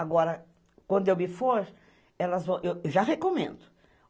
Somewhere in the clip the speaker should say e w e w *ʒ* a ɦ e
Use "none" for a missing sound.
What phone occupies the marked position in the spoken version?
ʒ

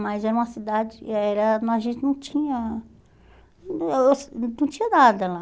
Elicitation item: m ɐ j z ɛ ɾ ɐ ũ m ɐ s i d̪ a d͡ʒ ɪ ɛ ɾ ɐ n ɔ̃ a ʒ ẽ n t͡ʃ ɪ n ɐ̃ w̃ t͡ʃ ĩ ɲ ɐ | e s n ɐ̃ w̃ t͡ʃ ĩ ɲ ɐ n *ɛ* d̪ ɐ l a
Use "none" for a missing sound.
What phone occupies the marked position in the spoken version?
a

